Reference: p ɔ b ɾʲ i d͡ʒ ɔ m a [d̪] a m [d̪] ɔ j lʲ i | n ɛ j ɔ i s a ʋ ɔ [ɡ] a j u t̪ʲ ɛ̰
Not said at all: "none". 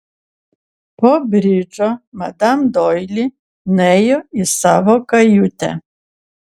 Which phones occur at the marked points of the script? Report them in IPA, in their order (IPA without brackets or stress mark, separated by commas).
d̪, d̪, k